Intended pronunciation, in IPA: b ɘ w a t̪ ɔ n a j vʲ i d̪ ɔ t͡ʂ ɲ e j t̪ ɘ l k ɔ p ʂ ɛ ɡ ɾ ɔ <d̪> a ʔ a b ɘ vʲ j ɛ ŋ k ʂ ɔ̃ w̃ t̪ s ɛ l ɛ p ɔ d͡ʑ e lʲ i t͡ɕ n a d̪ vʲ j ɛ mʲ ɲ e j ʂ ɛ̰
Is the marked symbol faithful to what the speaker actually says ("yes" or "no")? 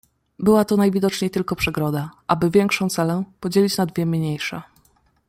yes